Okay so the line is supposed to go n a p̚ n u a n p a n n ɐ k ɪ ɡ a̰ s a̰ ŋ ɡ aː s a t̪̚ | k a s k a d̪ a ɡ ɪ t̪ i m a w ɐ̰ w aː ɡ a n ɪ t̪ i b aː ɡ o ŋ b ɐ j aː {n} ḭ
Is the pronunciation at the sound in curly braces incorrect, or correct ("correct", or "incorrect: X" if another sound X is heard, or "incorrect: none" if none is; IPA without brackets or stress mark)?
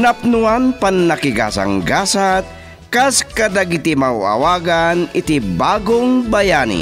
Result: correct